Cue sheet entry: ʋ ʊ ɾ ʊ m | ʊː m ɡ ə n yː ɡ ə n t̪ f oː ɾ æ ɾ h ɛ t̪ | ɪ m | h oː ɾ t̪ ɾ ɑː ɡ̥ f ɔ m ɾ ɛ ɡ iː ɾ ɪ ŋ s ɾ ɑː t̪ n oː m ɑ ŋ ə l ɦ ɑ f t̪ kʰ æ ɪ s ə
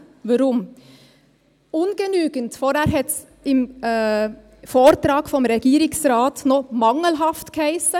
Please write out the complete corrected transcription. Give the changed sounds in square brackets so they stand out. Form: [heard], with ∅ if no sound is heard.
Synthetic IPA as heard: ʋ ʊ ɾ ʊ m | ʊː [n] ɡ ə n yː ɡ ə n t̪ f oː ɾ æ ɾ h ɛ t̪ | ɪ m | [f] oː ɾ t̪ ɾ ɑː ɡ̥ f ɔ m ɾ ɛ ɡ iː ɾ ɪ ŋ s ɾ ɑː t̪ n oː m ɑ ŋ ə l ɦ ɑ f t̪ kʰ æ ɪ s ə

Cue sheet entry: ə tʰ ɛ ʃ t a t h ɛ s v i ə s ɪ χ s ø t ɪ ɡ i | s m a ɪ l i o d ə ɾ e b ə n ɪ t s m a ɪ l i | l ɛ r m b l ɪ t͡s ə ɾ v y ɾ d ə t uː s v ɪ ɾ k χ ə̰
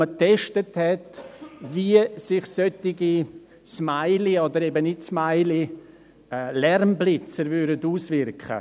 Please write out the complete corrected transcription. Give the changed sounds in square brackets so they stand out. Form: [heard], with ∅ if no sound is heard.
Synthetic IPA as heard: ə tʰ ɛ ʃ t [ə] t h ɛ [t] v i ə s ɪ χ s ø t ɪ ɡ i | s m a ɪ l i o d ə ɾ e b ə n ɪ t s m a ɪ l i | l ɛ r m b l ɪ t͡s ə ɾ v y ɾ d ə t uː s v ɪ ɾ k χ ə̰

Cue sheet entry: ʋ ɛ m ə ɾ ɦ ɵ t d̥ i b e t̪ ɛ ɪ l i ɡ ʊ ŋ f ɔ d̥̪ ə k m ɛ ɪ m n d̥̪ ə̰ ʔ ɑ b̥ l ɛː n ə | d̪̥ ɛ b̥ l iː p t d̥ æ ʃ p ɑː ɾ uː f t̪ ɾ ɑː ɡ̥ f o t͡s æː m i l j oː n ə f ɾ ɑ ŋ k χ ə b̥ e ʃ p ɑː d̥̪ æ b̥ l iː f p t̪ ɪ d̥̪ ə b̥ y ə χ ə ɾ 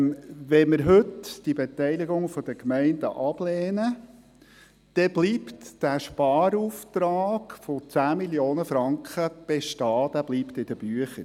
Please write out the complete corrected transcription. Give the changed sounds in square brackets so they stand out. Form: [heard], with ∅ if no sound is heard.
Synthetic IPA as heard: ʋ ɛ m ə ɾ ɦ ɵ t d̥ i b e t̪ ɛ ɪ l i ɡ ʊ ŋ f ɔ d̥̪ ə k m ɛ ɪ [∅] n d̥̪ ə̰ ʔ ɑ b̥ l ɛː n ə | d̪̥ ɛ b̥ l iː p t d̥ æ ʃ p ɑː ɾ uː f t̪ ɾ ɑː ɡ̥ f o t͡s æː m i l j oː n ə f ɾ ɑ ŋ k χ ə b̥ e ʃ [t] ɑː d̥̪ æ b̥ l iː [∅] p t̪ ɪ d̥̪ ə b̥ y ə χ ə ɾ

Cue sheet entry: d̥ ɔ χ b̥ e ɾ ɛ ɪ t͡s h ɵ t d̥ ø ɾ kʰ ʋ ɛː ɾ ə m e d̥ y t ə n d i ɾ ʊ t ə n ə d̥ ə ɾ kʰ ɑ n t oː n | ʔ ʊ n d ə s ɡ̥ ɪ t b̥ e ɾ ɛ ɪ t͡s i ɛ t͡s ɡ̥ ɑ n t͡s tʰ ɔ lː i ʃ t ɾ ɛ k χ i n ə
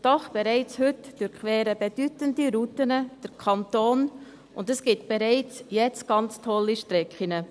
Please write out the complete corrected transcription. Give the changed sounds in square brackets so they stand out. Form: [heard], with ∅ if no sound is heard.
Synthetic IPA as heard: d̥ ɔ χ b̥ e ɾ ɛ ɪ t͡s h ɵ t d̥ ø ɾ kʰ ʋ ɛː ɾ ə [b] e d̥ y t ə n d i ɾ [u] t ə n ə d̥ ə ɾ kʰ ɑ n t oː n | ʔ ʊ n d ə s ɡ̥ ɪ t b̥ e ɾ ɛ ɪ t͡s [j] ɛ t͡s ɡ̥ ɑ n t͡s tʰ ɔ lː i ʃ t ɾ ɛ k χ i n ə

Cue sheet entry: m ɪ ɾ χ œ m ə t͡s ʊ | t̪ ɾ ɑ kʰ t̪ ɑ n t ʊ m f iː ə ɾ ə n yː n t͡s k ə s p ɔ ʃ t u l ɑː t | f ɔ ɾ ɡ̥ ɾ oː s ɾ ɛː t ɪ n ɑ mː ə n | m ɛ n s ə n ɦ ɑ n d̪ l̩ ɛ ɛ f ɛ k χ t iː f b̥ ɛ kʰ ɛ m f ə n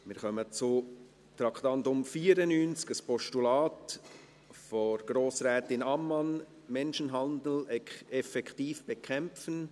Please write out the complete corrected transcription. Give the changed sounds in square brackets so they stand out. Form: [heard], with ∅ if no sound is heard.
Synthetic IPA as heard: m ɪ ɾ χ œ m ə t͡s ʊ | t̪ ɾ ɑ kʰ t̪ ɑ n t ʊ m f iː ə ɾ ə n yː n t͡s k ə s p ɔ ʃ t u l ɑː t | f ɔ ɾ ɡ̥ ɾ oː s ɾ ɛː t ɪ n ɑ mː [ɑ] n | m ɛ n [ʃ] ə n ɦ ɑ n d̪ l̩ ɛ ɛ f ɛ k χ t iː f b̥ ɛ kʰ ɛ m f ə n

